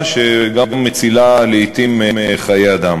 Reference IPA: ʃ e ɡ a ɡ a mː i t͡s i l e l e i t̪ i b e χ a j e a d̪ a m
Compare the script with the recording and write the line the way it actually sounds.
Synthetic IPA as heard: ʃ e ɡ a ɡ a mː e t͡s i l a l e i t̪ i m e χ a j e a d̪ a m

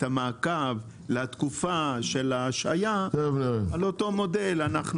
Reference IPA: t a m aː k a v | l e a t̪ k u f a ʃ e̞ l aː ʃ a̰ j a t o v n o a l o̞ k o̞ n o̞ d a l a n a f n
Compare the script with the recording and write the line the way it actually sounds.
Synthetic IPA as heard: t a m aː k a v | l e a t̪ k u f a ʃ e̞ l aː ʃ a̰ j a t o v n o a l o̞ t o̞ m o̞ d e l a n a χ n

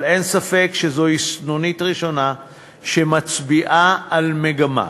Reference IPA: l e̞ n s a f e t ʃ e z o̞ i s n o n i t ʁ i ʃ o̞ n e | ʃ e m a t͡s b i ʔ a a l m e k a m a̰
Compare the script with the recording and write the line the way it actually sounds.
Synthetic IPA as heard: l e̞ n s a f e k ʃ e z o̞ i s n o n i t ʁ i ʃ o̞ n a | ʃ e m a t͡s b i ʔ a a l m e ɡ a m a̰

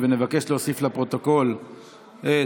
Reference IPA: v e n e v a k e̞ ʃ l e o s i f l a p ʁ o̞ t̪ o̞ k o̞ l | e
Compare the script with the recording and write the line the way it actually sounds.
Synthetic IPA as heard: v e n e v a k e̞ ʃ l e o s i f l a p ʁ o̞ t̪ o̞ k o̞ l | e

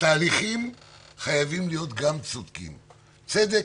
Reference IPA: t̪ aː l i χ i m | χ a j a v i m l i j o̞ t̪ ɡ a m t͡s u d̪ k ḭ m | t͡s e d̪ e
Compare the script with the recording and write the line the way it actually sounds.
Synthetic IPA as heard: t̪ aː l i χ i m | χ a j a v i m l i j o̞ t̪ ɡ a m t͡s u d̪ k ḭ m | t͡s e d̪ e

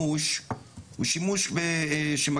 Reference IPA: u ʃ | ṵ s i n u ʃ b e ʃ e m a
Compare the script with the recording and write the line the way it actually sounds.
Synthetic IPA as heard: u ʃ | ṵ ʃ i m u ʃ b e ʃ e m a

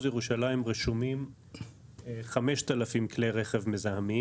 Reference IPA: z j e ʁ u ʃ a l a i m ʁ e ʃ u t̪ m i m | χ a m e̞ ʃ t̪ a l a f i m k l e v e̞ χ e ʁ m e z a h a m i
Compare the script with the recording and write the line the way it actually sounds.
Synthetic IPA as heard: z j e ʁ u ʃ a l a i m ʁ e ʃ u m i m | χ a m e̞ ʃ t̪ a l a f i m k l e ʁ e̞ χ e v m e z a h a m i

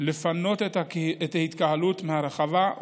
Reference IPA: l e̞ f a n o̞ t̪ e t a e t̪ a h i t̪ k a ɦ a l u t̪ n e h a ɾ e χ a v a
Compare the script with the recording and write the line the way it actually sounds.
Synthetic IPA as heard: l e̞ f a n o̞ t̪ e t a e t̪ a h i t̪ k a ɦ a l u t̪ m e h a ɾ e χ a v a

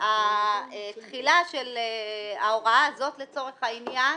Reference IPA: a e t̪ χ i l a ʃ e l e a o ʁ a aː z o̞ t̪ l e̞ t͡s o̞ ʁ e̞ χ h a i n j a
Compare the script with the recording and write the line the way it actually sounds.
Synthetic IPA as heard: a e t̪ χ i l a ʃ e l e a o ʁ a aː z o̞ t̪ l e̞ t͡s o̞ ʁ e̞ χ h a i n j a

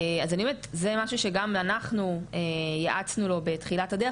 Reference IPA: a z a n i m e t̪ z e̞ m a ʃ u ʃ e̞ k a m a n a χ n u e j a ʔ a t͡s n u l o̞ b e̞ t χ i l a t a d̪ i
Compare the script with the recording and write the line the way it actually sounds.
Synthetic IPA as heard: a z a n i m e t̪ z e̞ m a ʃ u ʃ e̞ ɡ a m a n a χ n u e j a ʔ a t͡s n u l o̞ b e̞ t χ i l a t a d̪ e

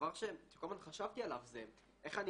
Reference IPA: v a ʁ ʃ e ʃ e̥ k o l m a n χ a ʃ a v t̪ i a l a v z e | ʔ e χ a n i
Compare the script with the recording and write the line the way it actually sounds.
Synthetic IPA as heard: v a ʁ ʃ e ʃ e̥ k o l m a n χ a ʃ a v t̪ i a l a v z e | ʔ e χ a n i

